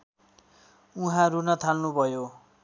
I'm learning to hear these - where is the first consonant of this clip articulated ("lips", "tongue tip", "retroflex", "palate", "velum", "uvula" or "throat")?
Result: throat